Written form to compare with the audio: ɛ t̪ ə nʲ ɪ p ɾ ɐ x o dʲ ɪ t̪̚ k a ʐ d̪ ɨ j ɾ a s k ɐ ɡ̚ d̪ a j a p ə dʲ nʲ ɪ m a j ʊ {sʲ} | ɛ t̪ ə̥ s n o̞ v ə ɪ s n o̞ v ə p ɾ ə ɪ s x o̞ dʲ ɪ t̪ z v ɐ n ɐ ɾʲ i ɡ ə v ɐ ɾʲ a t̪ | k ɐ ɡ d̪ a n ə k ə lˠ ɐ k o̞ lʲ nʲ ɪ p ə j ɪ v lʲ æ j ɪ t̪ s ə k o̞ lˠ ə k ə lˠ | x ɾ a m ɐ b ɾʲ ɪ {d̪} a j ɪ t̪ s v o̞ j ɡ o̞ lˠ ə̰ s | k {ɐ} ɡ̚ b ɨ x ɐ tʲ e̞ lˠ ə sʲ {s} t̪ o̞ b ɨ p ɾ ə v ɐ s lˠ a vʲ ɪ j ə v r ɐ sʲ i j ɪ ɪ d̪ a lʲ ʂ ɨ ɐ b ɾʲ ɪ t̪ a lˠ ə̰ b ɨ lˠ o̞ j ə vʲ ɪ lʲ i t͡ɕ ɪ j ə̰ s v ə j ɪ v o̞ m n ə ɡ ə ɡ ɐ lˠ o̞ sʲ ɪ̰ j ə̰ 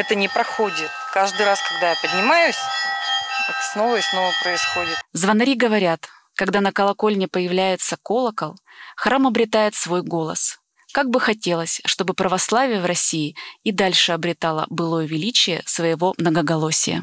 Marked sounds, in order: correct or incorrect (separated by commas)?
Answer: correct, incorrect, incorrect, incorrect